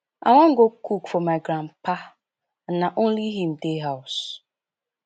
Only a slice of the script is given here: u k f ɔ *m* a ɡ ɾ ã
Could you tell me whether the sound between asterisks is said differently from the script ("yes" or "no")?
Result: no